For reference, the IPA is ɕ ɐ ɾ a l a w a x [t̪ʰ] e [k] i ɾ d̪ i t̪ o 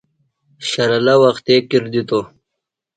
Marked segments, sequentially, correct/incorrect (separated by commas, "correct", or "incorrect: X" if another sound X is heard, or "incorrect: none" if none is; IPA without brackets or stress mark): incorrect: t̪, correct